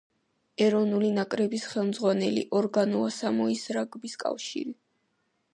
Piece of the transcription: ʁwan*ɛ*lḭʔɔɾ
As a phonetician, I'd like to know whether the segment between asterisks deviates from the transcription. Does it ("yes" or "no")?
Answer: no